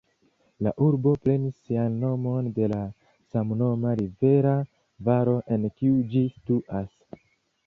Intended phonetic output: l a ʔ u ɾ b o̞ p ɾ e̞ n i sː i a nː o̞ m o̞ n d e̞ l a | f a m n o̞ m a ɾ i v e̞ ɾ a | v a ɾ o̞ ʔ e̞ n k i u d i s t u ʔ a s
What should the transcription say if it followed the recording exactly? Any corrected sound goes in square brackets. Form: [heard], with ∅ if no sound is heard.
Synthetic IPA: l a ʔ u ɾ b o̞ p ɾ e̞ n i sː i a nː o̞ m o̞ n d e̞ l a | [s] a m n o̞ m a ɾ i v e̞ ɾ a | v a ɾ o̞ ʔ e̞ n k i u [d͡ʒ] i s t u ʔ a s